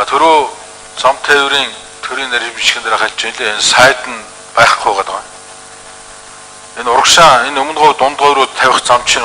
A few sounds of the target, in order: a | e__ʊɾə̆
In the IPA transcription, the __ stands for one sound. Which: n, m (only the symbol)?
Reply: n